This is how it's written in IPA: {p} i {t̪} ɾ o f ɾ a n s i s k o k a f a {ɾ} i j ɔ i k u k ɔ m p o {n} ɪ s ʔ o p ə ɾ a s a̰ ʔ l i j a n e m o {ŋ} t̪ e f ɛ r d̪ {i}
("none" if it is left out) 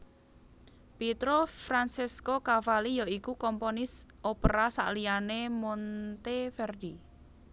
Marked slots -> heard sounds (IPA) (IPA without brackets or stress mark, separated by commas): p, t̪, l, n, n, i